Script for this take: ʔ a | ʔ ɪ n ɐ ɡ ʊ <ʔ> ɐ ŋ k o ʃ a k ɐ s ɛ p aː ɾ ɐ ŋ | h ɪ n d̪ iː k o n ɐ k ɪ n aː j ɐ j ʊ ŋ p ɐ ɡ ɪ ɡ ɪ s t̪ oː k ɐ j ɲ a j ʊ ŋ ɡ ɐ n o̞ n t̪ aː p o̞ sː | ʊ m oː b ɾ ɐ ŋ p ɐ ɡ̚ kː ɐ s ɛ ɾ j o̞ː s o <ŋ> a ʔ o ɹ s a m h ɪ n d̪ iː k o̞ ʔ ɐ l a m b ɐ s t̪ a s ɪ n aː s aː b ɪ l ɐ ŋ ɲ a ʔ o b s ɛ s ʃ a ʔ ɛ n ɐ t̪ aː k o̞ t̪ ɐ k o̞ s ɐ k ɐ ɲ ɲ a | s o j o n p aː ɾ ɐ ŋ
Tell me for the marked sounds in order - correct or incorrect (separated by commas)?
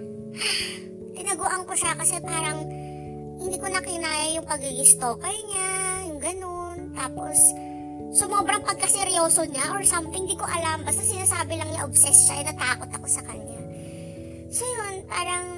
correct, incorrect